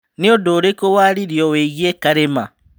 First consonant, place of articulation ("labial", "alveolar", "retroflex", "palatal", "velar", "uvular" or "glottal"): alveolar